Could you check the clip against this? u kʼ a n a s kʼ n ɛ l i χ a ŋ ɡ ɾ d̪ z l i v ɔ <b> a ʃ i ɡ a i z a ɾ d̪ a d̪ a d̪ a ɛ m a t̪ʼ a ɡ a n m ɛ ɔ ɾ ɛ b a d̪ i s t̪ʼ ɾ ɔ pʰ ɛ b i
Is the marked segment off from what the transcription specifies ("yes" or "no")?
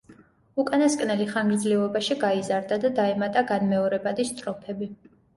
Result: no